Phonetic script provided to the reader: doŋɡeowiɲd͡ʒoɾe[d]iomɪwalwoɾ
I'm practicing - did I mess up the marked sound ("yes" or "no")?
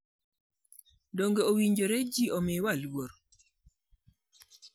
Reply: yes